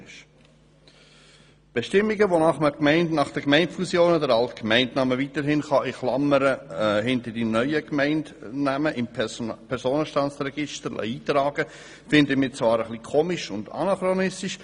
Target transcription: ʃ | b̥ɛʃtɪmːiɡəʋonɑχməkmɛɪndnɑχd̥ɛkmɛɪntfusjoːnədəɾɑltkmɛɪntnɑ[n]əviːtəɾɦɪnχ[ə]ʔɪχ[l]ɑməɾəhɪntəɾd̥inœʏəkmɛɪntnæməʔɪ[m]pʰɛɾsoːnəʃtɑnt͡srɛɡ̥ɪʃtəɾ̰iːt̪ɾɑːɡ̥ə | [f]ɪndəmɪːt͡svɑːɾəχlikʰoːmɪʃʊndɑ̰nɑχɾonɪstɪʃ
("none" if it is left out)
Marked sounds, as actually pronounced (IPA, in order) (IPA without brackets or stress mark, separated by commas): m, ɑ, l, m, f